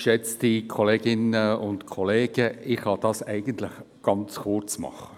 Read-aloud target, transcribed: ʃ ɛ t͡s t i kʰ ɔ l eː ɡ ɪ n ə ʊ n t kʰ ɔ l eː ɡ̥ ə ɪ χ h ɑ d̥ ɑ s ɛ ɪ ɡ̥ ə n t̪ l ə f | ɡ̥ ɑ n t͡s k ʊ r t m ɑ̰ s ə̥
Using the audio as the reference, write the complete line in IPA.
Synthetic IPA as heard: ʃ ɛ t͡s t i kʰ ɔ l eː ɡ ɪ n ə ʊ n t kʰ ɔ l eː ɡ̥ ə ɪ χ h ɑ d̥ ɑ s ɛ ɪ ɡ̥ ə n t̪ l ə χ | ɡ̥ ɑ n t͡s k ʊ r t͡s m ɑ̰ χ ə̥